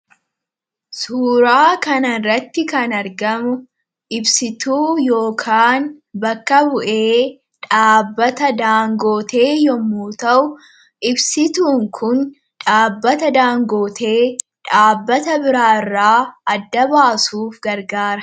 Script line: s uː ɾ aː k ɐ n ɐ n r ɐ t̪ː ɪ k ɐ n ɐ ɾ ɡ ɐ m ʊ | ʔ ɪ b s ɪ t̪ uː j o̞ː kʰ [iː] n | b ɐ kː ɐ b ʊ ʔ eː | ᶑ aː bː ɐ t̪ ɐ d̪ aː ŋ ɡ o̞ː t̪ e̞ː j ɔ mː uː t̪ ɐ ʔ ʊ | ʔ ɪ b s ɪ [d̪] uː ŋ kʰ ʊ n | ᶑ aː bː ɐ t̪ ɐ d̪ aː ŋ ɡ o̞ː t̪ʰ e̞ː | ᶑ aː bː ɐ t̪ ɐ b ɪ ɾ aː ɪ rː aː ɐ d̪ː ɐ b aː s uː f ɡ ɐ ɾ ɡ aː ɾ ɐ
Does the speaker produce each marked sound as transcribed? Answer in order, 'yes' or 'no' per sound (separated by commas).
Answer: no, no